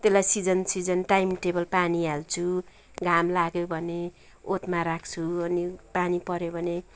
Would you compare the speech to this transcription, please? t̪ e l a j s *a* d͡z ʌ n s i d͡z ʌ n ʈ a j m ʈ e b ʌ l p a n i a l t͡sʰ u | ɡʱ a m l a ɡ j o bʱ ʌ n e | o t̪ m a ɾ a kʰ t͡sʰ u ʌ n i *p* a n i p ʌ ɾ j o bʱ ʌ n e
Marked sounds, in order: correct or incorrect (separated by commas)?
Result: incorrect, correct